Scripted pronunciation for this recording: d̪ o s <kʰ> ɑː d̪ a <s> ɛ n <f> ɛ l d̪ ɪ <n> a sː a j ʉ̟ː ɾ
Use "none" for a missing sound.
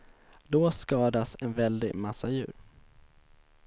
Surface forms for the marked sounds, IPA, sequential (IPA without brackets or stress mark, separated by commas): k, s, v, m